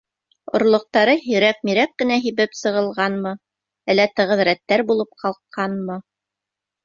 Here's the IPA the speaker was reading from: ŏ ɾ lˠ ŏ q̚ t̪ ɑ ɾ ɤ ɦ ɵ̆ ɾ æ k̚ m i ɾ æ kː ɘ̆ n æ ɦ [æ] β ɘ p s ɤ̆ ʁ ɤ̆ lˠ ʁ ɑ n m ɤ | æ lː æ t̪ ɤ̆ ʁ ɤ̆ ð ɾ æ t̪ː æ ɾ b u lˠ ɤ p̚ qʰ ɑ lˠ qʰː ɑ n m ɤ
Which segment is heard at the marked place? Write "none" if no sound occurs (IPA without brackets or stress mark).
i